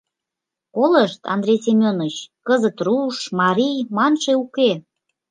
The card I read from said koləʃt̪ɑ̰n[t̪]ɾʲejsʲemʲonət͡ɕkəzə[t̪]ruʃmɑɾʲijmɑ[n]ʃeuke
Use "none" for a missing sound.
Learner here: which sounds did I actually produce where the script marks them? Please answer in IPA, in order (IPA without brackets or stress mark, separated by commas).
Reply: d̪, t̪, n